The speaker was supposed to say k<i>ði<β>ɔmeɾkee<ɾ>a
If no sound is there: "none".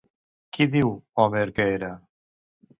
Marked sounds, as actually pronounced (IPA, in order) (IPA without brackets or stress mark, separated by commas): i, w, ɾ